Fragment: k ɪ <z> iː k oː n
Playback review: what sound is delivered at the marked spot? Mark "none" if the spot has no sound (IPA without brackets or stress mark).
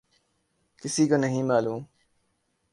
s